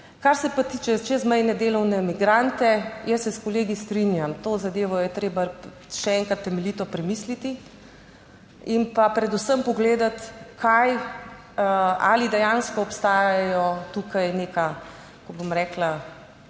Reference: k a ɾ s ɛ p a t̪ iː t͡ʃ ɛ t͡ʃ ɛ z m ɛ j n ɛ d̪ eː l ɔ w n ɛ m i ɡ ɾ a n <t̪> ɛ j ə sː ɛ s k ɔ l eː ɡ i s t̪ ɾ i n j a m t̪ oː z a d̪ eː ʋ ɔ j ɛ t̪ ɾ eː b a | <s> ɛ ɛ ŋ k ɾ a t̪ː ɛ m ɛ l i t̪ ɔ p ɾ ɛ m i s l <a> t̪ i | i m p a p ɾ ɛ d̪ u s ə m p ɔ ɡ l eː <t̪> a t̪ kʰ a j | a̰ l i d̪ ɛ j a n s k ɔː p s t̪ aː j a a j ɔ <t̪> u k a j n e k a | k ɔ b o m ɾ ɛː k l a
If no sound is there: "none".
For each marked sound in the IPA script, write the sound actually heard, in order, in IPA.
t̪, ʃ, i, d̪, t̪

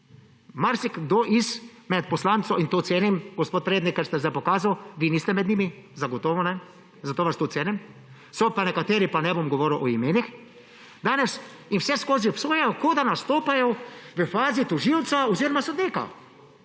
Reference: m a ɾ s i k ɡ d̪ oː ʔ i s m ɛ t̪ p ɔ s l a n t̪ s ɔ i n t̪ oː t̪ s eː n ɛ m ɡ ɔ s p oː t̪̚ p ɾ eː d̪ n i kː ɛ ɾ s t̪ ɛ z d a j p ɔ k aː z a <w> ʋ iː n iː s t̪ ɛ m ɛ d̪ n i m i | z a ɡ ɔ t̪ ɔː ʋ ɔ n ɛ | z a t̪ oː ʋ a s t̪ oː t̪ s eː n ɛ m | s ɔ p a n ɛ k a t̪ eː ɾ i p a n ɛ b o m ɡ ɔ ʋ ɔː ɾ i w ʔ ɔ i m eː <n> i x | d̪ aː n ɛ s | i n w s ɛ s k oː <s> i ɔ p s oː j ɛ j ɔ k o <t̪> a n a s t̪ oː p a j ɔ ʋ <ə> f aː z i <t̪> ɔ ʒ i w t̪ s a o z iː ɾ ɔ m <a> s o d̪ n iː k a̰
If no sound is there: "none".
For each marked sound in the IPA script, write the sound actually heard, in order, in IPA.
w, n, z, d̪, ə, t̪, a

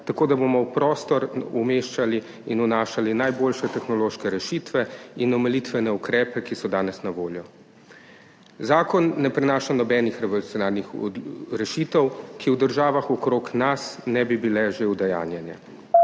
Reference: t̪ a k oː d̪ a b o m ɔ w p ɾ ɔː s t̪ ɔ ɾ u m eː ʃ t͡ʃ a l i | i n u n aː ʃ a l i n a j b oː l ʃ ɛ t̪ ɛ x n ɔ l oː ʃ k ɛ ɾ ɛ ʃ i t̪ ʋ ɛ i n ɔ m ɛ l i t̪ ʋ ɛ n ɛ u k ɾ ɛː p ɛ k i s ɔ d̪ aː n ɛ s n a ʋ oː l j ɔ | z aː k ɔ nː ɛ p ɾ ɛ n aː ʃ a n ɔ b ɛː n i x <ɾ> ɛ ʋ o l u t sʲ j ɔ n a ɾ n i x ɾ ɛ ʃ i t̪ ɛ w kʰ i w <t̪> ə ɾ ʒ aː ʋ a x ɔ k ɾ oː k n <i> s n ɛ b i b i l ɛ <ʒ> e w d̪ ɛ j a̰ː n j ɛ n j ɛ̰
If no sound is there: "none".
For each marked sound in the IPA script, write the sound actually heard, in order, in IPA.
ɾ, d̪, a, ʒ

